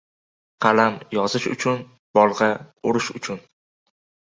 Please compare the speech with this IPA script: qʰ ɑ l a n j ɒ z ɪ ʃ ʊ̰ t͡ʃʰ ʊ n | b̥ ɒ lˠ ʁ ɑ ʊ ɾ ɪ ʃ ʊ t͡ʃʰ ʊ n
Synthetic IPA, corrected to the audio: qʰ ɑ l a m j ɒ z ɪ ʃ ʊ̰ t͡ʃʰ ʊ n | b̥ ɒ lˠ ʁ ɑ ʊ ɾ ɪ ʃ ʊ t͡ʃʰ ʊ n